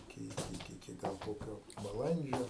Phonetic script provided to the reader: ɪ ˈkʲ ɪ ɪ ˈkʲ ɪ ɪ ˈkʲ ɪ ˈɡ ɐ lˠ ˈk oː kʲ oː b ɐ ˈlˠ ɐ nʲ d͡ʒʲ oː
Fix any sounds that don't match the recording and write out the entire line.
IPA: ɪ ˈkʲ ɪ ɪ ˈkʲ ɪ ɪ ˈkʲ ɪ ˈɡ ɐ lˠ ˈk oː kʲ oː b ɐ ˈlˠ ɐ nʲ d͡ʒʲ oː